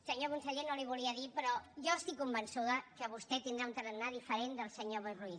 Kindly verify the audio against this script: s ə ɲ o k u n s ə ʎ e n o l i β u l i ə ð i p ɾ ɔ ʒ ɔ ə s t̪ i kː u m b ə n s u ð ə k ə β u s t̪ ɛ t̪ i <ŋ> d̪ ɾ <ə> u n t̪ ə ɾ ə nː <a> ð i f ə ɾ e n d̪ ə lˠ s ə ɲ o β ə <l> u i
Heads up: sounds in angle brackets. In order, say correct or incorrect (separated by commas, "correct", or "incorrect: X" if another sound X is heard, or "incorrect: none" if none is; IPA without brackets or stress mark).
incorrect: n, incorrect: a, correct, incorrect: r